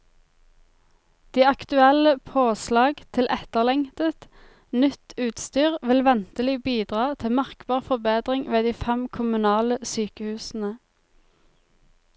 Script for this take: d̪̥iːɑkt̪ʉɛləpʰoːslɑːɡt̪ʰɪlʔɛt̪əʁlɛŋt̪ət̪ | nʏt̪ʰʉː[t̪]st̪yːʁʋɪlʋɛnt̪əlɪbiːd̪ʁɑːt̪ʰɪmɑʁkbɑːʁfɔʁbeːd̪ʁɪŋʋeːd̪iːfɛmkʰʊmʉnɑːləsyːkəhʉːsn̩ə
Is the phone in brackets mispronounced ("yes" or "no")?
no